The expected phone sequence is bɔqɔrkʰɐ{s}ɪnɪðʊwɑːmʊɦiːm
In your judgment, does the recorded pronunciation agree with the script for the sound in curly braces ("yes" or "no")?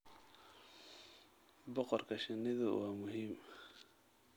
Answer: no